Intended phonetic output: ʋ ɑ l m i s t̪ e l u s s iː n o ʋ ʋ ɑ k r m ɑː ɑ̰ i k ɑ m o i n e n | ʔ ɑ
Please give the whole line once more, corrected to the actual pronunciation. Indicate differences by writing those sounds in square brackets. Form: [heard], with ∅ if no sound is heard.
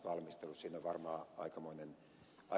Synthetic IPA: ʋ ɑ l m i s t̪ e l u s s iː n o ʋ ʋ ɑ [∅] r m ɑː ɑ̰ i k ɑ m o i n e n | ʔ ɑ